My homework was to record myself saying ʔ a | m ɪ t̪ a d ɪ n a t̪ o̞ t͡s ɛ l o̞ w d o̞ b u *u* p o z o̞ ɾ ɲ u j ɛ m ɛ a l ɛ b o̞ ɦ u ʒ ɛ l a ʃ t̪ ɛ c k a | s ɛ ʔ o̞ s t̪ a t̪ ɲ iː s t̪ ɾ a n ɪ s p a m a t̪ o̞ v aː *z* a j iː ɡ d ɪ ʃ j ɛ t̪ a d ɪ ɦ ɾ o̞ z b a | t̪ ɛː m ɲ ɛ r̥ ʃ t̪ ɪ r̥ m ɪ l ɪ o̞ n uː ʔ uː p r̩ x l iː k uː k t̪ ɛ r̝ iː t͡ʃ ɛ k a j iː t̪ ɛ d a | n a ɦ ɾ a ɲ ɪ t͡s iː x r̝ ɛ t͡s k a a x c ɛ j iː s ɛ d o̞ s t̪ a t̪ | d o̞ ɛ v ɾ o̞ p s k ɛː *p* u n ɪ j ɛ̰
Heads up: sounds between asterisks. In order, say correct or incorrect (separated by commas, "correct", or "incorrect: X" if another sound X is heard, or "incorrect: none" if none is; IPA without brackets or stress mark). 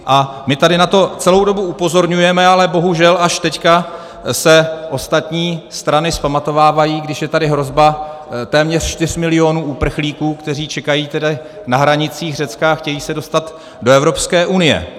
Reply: correct, incorrect: v, incorrect: ʔ